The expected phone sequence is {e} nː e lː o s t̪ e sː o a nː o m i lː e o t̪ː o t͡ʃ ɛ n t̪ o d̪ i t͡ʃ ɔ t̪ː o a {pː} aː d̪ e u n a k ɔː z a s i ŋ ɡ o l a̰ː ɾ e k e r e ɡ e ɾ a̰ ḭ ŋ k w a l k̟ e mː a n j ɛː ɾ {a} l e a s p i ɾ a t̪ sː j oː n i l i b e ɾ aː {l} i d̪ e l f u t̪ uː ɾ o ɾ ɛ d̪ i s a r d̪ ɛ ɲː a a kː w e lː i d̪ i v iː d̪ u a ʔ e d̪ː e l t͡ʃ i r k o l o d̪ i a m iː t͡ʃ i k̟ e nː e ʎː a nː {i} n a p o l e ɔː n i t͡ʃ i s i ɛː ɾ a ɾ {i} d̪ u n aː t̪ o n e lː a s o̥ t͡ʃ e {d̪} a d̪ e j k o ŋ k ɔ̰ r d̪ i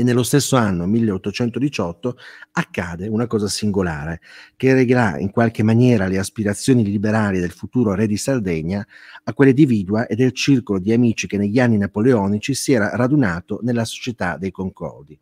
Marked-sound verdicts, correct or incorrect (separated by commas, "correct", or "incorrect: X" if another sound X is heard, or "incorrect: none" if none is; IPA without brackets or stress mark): correct, incorrect: kː, correct, correct, correct, incorrect: a, incorrect: t̪